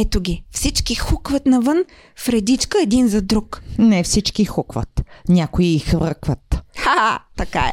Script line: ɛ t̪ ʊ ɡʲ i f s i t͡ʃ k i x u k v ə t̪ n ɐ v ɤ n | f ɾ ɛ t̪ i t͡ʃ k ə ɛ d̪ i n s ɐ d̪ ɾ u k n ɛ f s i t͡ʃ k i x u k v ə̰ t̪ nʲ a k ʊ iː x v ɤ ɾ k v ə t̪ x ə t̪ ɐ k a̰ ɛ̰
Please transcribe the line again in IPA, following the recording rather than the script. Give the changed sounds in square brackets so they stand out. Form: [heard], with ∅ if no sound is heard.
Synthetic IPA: ɛ t̪ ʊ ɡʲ i f s i t͡ʃ k i x u k v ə t̪ n ɐ v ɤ n | f ɾ ɛ [d̪] i t͡ʃ k ə ɛ d̪ i n [z] ɐ d̪ ɾ u k n ɛ f s i t͡ʃ k i x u k v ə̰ t̪ nʲ a k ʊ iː x v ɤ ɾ k v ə t̪ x [a] t̪ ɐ k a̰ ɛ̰